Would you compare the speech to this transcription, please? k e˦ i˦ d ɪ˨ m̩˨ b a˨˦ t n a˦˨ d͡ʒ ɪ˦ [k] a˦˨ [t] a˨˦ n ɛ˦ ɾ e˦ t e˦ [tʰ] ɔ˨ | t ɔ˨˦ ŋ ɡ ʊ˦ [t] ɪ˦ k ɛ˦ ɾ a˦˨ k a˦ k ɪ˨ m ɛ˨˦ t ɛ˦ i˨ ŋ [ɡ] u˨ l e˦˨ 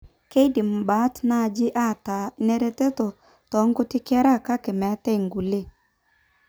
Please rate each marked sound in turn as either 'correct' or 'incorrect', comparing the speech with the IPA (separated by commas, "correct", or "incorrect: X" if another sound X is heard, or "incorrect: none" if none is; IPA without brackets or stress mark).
incorrect: ʔ, correct, incorrect: t, correct, correct